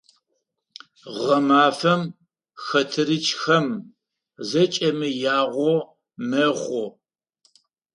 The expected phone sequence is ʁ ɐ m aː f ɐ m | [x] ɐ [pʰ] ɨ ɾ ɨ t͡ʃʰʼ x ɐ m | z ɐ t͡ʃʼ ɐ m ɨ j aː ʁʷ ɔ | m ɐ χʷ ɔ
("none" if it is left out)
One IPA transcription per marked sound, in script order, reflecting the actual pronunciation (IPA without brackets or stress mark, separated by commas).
x, tʰ